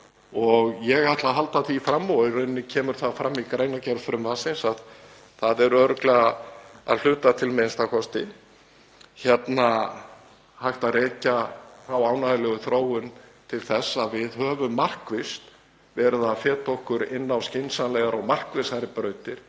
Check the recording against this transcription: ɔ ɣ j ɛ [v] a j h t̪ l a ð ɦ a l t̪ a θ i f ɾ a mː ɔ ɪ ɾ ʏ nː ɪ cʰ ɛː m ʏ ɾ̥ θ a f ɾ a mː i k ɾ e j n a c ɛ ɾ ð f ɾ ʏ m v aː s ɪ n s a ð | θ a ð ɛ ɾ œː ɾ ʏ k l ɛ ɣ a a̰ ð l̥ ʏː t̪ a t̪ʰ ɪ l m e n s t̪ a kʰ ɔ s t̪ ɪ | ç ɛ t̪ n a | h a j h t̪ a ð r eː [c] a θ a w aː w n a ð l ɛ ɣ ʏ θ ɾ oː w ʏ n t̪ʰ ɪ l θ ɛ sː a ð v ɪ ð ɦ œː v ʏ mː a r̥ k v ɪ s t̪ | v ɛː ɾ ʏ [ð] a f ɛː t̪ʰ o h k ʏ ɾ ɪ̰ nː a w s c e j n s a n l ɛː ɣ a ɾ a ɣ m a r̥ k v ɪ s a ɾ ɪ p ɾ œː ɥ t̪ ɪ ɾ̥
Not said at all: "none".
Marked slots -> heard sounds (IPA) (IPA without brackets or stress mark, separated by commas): ɣ, c, ð